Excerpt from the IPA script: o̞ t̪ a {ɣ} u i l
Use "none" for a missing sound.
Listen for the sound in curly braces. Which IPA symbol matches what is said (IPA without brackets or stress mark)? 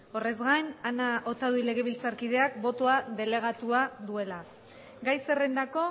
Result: ð